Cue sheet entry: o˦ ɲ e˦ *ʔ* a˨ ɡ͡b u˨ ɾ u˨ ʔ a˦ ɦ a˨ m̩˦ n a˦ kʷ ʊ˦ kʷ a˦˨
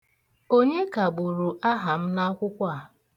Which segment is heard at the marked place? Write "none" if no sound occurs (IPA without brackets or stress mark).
k